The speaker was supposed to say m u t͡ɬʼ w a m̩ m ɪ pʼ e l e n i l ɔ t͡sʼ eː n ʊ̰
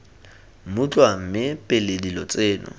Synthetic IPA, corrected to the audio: m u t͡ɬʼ w a m̩ m ɪ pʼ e l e d i l ɔ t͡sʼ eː n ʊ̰